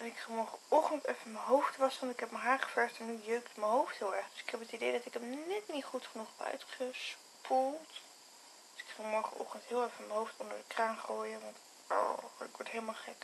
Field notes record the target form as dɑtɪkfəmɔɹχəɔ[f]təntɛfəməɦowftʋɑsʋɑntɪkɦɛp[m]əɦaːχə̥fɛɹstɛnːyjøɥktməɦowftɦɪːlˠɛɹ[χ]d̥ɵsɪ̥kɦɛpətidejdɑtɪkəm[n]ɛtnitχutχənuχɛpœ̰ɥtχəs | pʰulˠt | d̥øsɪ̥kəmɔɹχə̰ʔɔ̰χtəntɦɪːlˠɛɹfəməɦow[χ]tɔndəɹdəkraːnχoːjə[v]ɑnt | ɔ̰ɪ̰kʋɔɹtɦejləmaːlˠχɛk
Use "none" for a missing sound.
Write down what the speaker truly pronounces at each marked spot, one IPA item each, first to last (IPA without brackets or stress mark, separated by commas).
χ, m, χ, n, f, ʋ